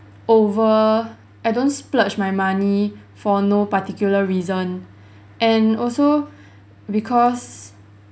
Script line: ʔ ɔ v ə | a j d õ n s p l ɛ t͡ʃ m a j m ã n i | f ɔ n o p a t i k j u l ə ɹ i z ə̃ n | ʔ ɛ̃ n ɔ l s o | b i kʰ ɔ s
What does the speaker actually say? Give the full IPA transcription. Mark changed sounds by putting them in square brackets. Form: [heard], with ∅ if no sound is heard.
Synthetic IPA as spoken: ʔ [o] v ə | a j d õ n s p l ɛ t͡ʃ m a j m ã n i | f ɔ n o p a t i k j u l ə ɹ i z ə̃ n | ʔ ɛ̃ n ɔ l s o | b i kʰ ɔ s